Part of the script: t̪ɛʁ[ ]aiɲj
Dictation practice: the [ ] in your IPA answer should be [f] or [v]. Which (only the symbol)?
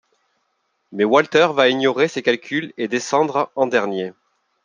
v